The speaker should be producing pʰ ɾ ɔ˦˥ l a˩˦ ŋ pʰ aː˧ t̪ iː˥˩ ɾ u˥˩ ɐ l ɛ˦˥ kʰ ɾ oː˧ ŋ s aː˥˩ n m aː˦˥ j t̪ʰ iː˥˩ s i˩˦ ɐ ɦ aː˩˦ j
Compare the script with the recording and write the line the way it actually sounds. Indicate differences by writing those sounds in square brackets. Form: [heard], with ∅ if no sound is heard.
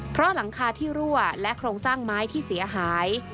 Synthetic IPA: pʰ ɾ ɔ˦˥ l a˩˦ ŋ [kʰ] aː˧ [t̪ʰ] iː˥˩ ɾ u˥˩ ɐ l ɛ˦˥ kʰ ɾ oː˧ ŋ s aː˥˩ [ŋ] m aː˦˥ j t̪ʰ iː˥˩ s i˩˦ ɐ ɦ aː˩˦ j